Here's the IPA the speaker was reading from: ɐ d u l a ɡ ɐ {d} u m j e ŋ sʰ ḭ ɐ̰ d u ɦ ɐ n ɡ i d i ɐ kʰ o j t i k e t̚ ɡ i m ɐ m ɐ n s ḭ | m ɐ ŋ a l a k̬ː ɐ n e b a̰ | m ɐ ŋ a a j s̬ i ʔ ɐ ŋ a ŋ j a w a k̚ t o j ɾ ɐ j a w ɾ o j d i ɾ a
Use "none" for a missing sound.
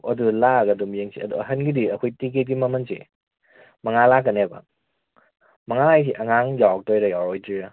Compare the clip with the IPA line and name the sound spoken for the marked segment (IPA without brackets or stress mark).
d